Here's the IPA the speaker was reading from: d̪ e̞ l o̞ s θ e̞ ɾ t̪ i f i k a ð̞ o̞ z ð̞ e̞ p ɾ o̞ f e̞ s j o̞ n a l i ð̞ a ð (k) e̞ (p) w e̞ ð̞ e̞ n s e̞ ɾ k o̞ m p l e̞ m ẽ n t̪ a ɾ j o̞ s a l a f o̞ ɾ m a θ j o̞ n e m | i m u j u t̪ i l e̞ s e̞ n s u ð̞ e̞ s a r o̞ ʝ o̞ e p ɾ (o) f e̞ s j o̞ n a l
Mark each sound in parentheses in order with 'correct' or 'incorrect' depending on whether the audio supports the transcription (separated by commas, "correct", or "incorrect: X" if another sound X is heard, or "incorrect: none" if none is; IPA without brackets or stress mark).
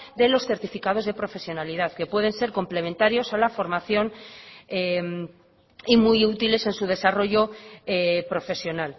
correct, correct, correct